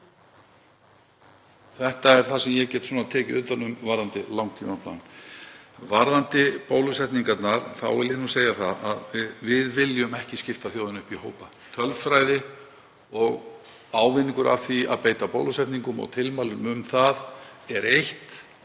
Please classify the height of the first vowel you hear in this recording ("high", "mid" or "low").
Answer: mid